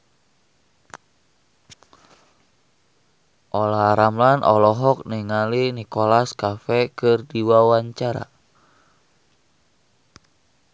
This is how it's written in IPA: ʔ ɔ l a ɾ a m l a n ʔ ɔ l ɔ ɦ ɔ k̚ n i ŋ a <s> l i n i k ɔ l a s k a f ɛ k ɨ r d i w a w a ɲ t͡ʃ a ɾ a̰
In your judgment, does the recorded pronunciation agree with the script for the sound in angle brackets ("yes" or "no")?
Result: no